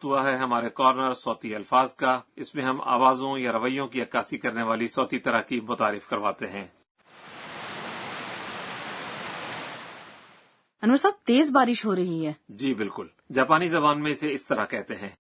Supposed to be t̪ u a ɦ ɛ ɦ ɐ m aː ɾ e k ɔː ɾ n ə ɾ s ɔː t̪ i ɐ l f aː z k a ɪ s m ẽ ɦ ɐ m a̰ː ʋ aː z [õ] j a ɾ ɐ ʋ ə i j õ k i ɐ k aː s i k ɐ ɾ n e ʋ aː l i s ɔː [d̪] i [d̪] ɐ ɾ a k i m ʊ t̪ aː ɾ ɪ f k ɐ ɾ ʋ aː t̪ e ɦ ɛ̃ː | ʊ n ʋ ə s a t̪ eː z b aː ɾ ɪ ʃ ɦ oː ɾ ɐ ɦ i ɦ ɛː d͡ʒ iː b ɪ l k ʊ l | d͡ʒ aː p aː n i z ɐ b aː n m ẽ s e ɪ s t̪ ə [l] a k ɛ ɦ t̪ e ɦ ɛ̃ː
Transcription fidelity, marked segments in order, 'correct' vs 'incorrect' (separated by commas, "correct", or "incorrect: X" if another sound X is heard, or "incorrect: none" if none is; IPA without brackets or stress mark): correct, incorrect: t̪, incorrect: t̪, incorrect: ɾ